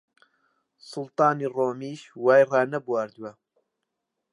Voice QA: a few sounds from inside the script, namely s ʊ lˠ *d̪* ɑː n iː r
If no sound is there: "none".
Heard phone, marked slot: t̪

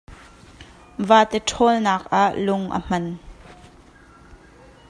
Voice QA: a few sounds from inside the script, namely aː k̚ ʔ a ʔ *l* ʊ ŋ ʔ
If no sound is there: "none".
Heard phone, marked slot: l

